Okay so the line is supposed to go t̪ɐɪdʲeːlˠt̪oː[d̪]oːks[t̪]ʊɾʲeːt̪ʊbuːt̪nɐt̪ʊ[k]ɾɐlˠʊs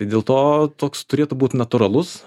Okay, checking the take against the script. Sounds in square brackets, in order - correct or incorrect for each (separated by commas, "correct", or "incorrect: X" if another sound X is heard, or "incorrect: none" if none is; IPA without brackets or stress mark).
incorrect: t̪, correct, incorrect: none